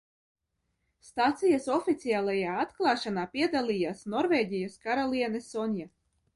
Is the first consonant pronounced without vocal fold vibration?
yes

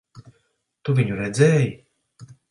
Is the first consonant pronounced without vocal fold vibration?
yes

